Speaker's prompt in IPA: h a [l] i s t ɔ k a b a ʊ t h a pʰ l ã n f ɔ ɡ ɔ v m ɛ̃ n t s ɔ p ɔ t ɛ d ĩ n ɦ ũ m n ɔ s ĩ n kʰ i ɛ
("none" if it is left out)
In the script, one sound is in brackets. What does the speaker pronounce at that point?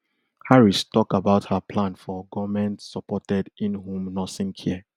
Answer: ɹ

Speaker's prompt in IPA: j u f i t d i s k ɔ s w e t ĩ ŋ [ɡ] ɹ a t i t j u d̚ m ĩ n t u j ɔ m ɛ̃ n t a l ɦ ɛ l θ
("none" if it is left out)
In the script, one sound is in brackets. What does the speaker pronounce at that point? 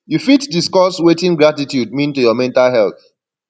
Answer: ɡ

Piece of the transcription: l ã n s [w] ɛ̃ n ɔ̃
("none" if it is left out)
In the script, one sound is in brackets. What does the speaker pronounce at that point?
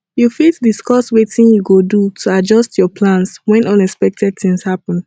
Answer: w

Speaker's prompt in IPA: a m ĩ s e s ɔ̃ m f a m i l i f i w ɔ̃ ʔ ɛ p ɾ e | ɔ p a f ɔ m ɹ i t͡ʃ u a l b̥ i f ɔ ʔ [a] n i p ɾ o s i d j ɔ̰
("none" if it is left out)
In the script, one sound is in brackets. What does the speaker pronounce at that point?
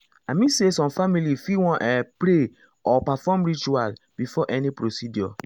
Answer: ɛ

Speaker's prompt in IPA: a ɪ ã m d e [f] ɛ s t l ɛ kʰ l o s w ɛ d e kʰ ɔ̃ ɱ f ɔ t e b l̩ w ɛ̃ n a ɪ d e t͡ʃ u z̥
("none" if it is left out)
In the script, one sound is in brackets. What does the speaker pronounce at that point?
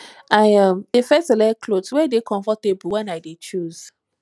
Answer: f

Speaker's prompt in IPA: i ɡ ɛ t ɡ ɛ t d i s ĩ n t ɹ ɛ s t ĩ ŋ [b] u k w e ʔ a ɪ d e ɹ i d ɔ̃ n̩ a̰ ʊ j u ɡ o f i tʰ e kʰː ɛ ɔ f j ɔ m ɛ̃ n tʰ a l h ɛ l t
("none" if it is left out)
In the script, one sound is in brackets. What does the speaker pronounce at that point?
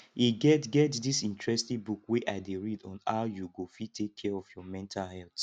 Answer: b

